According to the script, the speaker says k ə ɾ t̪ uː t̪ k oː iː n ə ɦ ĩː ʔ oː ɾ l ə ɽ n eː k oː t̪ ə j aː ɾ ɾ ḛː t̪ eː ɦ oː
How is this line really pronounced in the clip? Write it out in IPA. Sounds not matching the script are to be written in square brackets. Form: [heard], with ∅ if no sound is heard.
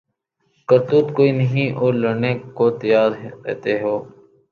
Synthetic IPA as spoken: k ə ɾ t̪ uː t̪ k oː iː n ə ɦ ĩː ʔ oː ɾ l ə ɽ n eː k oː t̪ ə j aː ɾ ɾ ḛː t̪ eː ɦ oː